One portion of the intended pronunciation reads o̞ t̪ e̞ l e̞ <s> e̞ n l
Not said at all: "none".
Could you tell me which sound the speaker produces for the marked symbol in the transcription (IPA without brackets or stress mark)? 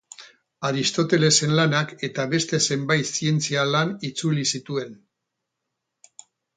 s